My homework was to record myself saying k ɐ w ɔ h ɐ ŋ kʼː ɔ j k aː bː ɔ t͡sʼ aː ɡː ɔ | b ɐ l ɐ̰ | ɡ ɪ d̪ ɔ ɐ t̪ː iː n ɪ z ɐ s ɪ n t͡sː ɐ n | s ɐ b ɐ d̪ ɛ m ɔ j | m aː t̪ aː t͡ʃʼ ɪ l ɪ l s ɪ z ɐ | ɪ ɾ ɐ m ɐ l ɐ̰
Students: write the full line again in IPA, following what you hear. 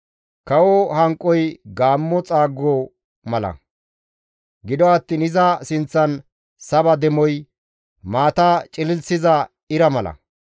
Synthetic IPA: k ɐ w ɔ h ɐ ŋ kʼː ɔ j ɡ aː mː ɔ t͡sʼ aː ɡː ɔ | m ɐ l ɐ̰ | ɡ ɪ d̪ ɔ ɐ t̪ː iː n ɪ z ɐ s ɪ n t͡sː ɐ n | s ɐ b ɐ d̪ ɛ m ɔ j | m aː t̪ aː t͡ʃʼ ɪ l ɪ l s ɪ z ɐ | ɪ ɾ ɐ m ɐ l ɐ̰

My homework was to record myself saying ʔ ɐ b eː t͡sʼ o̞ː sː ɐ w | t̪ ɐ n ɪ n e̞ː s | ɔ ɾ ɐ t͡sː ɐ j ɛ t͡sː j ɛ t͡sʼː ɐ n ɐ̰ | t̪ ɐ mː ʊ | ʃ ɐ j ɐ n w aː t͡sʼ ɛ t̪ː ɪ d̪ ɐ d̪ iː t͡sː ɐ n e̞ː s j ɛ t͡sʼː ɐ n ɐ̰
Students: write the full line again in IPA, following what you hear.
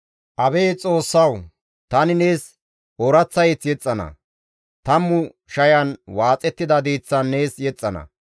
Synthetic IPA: ʔ ɐ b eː t͡sʼ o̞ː sː ɐ w | t̪ ɐ n ɪ n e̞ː s | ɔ ɾ ɐ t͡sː ɐ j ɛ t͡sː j ɛ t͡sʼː ɐ n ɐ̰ | t̪ ɐ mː ʊ | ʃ ɐ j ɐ n w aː t͡sʼ ɛ t̪ː ɪ d̪ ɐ d̪ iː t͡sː ɐ nː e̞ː s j ɛ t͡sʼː ɐ n ɐ̰

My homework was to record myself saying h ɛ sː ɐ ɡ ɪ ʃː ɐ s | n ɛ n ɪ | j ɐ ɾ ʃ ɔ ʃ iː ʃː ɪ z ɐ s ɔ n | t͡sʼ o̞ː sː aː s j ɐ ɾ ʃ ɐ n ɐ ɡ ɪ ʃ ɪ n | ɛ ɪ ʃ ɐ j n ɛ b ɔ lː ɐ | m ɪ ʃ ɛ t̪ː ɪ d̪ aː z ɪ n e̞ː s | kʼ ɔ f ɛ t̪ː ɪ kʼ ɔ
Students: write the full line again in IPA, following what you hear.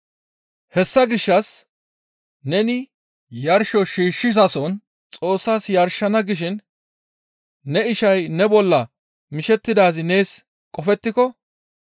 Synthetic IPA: h ɛ sː ɐ ɡ ɪ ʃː ɐ s | n ɛ n ɪ | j ɐ ɾ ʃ ɔ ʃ iː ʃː ɪ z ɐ s ɔ n | t͡sʼ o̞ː sː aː s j ɐ ɾ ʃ ɐ n ɐ ɡ ɪ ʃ ɪ n | ɛ ɪ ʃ ɐ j n ɛ b ɔ lː ɐ | m ɪ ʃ ɛ t̪ː ɪ d̪ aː z ɪ n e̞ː s | kʼ ɔ f ɛ t̪ː ɪ k ɔ

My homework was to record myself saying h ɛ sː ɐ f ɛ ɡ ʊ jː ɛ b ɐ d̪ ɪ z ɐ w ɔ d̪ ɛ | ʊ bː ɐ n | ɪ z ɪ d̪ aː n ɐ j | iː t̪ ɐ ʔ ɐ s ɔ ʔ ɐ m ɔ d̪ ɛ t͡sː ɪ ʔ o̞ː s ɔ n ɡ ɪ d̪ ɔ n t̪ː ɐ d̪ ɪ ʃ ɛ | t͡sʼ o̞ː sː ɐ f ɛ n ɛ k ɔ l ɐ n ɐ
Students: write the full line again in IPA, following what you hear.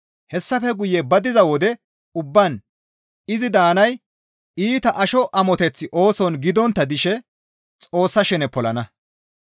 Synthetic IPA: h ɛ sː ɐ f ɛ ɡ ʊ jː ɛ b ɐ d̪ ɪ z ɐ w ɔ d̪ ɛ | ʊ bː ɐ n | ɪ z ɪ d̪ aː n ɐ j | iː t̪ ɐ ʔ ɐ ʃ ɔ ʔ ɐ m ɔ t̪ ɛ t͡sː ɪ ʔ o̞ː s ɔ n ɡ ɪ d̪ ɔ n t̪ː ɐ d̪ ɪ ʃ ɛ | t͡sʼ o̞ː sː ɐ ʃ ɛ n ɛ p ɔ l ɐ n ɐ

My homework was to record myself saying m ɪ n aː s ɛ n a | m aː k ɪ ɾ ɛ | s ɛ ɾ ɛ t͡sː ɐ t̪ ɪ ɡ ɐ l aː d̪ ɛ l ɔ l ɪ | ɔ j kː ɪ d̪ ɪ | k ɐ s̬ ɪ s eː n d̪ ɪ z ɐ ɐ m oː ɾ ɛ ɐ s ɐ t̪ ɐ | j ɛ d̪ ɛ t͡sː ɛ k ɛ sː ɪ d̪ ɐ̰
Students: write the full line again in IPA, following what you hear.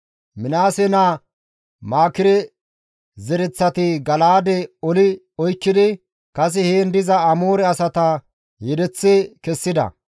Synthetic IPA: m ɪ n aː s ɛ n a | m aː k ɪ ɾ ɛ | z ɛ ɾ ɛ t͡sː ɐ t̪ ɪ ɡ ɐ l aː d̪ ɛ ɔ l ɪ | ɔ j kː ɪ d̪ ɪ | k ɐ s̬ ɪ h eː n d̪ ɪ z ɐ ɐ m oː ɾ ɛ ɐ s ɐ t̪ ɐ | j ɛ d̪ ɛ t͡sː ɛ k ɛ sː ɪ d̪ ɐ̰

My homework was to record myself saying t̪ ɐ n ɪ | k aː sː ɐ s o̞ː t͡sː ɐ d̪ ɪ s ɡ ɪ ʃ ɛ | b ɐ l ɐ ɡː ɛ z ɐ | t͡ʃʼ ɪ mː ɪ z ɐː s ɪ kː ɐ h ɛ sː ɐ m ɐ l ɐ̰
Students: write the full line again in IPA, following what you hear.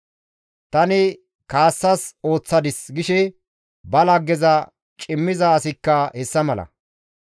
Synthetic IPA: t̪ ɐ n ɪ | k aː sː ɐ s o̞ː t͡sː ɐ d̪ ɪ s ɡ ɪ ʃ ɛ | b ɐ l ɐ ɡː ɛ z ɐ | t͡ʃʼ ɪ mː ɪ z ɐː s ɪ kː ɐ h ɛ sː ɐ m ɐ l ɐ̰

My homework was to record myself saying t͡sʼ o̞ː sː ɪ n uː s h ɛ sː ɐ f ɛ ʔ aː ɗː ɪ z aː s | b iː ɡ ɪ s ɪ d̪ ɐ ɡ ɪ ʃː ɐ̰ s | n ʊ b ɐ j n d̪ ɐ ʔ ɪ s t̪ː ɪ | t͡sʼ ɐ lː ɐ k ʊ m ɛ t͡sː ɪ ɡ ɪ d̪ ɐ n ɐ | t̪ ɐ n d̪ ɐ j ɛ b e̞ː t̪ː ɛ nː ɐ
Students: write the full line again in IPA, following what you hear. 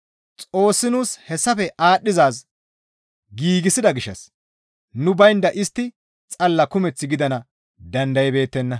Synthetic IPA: t͡sʼ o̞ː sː ɪ n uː s h ɛ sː ɐ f ɛ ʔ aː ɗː ɪ z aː s | ɡ iː ɡ ɪ s ɪ d̪ ɐ ɡ ɪ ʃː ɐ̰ s | n ʊ b ɐ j n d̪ ɐ ʔ ɪ s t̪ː ɪ | t͡sʼ ɐ lː ɐ k ʊ m ɛ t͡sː ɪ ɡ ɪ d̪ ɐ n ɐ | d̪ ɐ n d̪ ɐ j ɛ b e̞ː t̪ː ɛ nː ɐ

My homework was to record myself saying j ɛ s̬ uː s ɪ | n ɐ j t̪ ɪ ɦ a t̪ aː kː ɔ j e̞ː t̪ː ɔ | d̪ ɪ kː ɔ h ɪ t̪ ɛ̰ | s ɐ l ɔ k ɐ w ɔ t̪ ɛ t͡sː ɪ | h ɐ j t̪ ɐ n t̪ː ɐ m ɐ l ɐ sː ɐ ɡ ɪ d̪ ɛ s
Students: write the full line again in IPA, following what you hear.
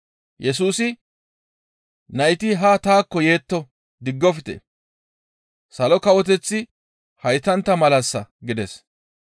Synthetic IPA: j ɛ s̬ uː s ɪ | n ɐ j t̪ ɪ ɦ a t̪ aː kː ɔ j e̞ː t̪ː ɔ | d̪ ɪ ɡː ɔ f ɪ t̪ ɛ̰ | s ɐ l ɔ k ɐ w ɔ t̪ ɛ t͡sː ɪ | h ɐ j t̪ ɐ n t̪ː ɐ m ɐ l ɐ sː ɐ ɡ ɪ d̪ ɛ s

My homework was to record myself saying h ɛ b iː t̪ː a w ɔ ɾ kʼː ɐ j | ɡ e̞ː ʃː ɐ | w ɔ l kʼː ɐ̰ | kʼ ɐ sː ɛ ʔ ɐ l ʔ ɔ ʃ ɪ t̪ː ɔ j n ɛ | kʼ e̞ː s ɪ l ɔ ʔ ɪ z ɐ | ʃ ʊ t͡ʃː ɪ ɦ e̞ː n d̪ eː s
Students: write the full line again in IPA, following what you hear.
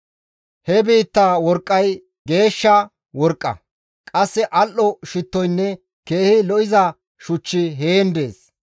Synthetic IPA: h ɛ b iː t̪ː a w ɔ ɾ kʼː ɐ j | ɡ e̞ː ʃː ɐ | w ɔ ɾ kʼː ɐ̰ | kʼ ɐ sː ɛ ʔ ɐ l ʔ ɔ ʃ ɪ t̪ː ɔ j nː ɛ | k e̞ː h ɪ l ɔ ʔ ɪ z ɐ | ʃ ʊ t͡ʃː ɪ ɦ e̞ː n d̪ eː s

